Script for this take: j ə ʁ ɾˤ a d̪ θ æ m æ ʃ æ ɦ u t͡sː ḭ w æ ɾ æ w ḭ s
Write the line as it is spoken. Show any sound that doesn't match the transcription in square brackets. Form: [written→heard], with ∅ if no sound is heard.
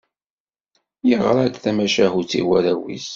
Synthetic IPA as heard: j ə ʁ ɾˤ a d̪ θ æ m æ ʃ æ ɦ u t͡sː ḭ w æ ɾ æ w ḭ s